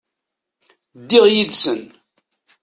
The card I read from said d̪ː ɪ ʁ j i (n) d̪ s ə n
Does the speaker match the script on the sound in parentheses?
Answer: no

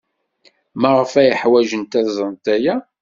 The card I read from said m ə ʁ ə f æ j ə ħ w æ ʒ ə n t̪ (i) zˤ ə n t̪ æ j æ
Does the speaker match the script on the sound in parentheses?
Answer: no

